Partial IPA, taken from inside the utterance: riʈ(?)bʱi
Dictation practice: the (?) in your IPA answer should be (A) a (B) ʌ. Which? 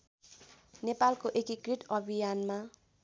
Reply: B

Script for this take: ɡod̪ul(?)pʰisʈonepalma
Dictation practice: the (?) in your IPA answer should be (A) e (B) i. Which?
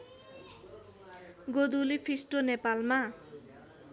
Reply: B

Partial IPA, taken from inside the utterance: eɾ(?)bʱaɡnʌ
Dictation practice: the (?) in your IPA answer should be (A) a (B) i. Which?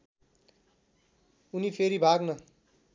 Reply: B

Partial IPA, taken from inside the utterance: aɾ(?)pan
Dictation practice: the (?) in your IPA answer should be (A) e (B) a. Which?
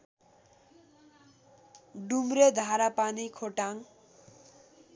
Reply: B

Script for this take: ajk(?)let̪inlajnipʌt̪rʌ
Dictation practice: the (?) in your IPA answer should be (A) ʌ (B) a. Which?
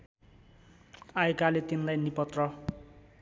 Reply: B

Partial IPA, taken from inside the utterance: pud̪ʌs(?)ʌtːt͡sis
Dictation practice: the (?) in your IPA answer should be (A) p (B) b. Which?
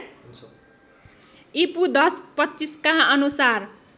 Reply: A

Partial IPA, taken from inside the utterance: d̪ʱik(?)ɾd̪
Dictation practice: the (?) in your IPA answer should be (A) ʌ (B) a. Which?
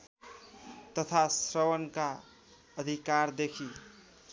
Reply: B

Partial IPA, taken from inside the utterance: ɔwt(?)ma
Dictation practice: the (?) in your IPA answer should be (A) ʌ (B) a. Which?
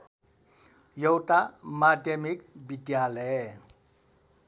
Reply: B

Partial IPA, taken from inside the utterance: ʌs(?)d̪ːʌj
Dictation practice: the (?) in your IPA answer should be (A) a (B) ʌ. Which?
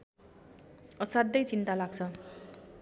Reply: A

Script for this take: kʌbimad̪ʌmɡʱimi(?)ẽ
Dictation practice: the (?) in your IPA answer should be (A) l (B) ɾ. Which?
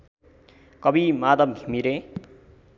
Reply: B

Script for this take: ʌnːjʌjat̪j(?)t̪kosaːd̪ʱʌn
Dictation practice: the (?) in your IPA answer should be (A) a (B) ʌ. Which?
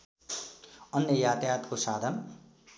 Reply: A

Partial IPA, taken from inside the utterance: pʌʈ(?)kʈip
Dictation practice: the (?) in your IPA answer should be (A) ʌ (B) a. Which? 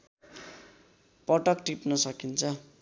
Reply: A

